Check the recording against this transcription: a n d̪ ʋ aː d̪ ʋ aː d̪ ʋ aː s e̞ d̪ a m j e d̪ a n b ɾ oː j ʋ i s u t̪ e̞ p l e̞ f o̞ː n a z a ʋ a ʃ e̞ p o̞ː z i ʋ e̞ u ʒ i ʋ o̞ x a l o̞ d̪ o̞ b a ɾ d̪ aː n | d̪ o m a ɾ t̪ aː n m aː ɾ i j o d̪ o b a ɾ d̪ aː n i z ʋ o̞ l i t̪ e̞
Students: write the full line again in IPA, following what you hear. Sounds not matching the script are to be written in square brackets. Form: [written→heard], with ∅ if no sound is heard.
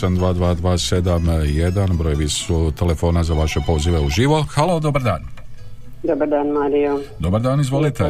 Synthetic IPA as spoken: a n d̪ ʋ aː d̪ ʋ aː d̪ ʋ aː s e̞ d̪ a m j e d̪ a n b ɾ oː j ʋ i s u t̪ e̞ [p→∅] l e̞ f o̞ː n a z a ʋ a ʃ e̞ p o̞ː z i ʋ e̞ u ʒ i ʋ o̞ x a l o̞ d̪ o̞ b a ɾ d̪ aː n | d̪ o [m→b] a ɾ [t̪→d̪] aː n m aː ɾ i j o d̪ o b a ɾ d̪ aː n i z ʋ o̞ l i t̪ e̞